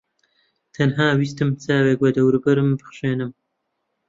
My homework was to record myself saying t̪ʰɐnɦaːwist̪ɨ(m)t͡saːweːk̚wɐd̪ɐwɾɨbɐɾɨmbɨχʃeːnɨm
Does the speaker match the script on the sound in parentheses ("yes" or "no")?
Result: yes